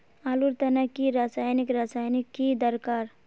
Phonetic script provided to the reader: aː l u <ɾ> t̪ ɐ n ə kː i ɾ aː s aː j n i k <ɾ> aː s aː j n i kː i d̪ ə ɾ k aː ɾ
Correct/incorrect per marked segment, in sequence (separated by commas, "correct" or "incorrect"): correct, correct